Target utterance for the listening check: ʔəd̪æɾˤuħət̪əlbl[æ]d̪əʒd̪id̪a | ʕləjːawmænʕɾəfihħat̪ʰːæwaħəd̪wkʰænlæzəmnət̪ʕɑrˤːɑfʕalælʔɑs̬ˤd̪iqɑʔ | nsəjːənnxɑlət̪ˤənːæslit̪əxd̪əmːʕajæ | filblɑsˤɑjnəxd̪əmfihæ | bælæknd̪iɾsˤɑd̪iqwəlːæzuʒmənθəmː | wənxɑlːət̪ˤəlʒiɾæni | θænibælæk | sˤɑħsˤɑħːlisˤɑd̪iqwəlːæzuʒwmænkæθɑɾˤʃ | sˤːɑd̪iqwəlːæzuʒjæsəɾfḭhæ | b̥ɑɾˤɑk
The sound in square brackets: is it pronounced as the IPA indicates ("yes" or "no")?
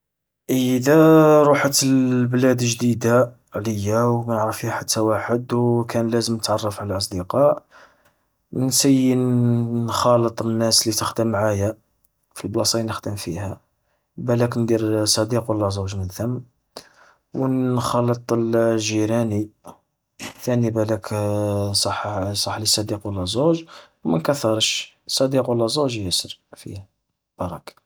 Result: yes